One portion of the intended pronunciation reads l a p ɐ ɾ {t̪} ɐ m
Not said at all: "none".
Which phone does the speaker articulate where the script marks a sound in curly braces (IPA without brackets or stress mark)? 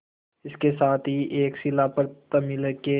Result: t̪